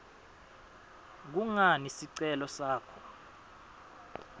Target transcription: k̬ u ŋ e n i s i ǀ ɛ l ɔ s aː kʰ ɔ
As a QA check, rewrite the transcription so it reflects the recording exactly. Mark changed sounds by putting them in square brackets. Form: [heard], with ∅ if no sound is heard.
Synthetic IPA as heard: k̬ u ŋ [a] n i s i ǀ ɛ l ɔ s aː kʰ ɔ